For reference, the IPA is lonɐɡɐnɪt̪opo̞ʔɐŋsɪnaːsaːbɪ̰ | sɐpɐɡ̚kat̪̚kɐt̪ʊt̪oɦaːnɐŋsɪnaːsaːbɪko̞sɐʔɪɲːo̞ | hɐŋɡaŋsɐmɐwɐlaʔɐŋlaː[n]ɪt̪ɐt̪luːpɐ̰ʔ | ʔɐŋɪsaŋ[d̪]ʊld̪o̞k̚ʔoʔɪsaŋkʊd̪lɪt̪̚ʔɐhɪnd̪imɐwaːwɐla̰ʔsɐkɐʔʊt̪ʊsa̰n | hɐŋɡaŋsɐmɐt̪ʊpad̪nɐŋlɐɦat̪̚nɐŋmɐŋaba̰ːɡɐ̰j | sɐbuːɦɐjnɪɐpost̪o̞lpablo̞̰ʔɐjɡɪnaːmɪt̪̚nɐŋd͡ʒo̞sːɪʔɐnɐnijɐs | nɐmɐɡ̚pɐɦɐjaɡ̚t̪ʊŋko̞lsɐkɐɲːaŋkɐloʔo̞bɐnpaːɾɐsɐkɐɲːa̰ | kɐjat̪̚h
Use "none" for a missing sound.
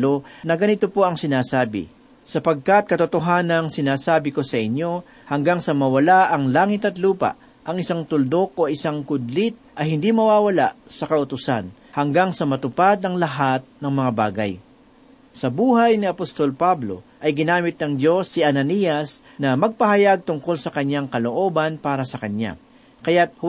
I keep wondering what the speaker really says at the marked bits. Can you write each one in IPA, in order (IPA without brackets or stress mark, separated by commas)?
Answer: ŋ, t̪